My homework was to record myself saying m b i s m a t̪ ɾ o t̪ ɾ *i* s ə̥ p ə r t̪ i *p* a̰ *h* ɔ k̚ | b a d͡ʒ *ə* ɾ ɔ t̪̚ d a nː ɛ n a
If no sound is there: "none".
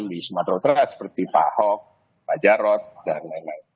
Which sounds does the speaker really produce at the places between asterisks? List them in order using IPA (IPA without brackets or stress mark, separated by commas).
a, p, h, a